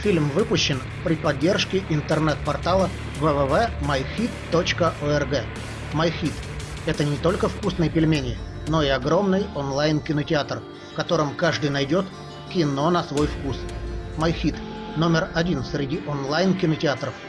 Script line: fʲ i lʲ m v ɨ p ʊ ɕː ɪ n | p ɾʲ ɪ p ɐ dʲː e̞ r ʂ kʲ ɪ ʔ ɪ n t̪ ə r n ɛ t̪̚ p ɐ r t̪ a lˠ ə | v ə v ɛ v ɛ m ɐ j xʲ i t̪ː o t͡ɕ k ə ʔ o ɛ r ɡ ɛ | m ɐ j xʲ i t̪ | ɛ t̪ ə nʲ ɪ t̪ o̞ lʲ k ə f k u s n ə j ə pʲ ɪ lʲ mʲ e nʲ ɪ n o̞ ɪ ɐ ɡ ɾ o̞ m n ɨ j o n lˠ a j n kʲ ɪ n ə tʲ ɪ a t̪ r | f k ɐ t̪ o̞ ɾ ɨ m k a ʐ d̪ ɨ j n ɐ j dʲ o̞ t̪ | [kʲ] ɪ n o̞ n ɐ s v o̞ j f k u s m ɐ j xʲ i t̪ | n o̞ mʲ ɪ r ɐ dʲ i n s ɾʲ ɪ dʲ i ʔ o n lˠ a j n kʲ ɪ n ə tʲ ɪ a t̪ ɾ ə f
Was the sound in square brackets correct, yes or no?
yes